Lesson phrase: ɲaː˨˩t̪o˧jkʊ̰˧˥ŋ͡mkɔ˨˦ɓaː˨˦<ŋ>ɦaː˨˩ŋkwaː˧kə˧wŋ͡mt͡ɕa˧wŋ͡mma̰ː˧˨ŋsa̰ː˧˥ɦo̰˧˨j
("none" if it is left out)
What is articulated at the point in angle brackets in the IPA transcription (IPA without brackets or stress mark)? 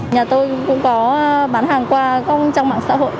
n